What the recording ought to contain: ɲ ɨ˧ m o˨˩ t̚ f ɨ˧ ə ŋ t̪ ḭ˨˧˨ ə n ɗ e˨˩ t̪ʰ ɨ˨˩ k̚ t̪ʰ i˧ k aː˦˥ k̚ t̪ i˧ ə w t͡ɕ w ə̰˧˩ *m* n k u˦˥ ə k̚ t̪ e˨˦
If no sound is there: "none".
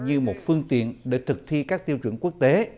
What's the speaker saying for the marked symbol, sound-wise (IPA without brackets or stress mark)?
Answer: none